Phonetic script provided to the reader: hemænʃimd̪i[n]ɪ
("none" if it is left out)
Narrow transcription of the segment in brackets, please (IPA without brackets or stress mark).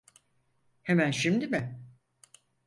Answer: m